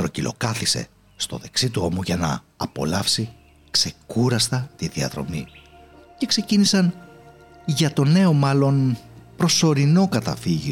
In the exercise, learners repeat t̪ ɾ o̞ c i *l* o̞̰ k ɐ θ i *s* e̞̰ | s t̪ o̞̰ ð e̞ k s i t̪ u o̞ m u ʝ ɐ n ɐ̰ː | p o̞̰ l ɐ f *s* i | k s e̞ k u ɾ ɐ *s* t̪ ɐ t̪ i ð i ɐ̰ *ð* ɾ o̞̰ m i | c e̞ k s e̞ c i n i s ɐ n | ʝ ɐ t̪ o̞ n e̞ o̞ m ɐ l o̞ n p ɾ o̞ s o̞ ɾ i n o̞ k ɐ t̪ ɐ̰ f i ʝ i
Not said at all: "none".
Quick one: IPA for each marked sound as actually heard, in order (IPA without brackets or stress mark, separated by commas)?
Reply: l, s, s, s, ð